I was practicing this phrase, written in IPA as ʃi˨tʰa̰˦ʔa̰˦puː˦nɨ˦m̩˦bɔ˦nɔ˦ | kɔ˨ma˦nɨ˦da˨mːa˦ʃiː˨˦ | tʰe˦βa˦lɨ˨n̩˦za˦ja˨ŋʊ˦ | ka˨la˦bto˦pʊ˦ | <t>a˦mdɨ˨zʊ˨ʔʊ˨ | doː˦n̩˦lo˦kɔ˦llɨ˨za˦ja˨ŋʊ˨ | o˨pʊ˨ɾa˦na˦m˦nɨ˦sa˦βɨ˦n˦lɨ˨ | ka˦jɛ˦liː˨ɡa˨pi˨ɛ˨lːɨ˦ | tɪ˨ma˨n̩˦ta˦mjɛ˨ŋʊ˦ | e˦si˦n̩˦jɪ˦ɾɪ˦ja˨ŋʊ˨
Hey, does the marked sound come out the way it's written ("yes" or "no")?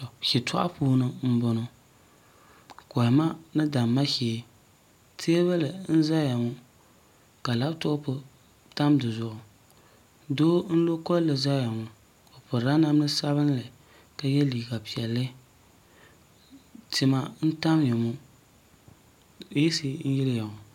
yes